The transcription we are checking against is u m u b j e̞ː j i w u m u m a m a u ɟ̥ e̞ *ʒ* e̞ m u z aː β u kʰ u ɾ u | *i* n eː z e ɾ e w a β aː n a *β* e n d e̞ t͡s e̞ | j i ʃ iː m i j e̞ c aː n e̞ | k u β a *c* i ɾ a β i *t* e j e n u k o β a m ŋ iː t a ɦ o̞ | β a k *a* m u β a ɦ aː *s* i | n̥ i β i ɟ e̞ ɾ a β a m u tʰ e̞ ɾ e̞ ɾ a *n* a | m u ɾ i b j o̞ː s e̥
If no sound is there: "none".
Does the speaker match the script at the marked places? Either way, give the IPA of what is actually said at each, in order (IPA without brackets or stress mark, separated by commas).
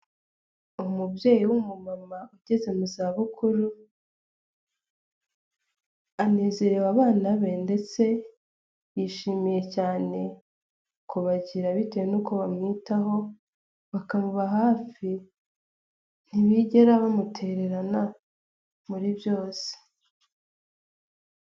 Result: z, a, β, ɟ, t, a, f, n